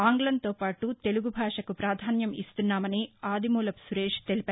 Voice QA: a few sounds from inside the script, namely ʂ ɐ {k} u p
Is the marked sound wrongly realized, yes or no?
no